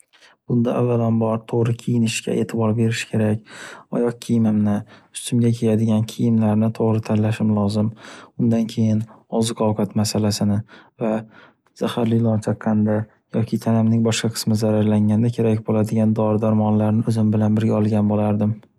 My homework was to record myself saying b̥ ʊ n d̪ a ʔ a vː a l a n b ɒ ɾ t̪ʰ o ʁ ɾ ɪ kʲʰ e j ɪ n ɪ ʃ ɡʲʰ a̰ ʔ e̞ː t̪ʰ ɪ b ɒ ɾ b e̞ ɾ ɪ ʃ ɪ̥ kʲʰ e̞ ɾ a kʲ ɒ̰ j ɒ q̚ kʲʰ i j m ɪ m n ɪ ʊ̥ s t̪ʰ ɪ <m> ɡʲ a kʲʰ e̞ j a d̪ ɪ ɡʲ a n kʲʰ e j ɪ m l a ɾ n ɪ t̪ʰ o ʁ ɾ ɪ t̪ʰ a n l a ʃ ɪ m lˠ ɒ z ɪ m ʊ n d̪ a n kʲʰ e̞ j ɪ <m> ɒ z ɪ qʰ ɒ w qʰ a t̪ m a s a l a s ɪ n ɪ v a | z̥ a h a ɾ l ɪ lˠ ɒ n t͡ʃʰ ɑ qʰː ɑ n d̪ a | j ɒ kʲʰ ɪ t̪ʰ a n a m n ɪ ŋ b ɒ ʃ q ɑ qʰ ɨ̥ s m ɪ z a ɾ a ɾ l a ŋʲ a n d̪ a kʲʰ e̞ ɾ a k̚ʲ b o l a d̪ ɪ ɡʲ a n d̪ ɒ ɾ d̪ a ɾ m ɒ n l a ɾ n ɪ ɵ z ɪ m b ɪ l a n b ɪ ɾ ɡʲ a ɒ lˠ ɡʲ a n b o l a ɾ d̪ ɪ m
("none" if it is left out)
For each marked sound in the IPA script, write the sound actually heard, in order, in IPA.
m, n

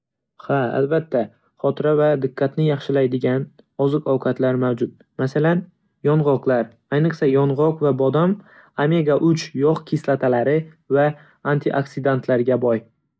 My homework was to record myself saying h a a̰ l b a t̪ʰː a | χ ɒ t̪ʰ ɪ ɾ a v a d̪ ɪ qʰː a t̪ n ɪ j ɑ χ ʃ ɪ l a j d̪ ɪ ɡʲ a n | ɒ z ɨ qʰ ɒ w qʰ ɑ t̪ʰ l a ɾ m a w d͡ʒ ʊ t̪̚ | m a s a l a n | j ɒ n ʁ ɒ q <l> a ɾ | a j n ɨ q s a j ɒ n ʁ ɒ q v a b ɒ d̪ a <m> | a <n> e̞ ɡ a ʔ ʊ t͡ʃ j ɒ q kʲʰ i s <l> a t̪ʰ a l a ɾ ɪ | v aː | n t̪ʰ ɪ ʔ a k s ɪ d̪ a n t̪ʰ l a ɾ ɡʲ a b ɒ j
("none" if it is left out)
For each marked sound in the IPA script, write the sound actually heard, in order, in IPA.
l, m, m, l

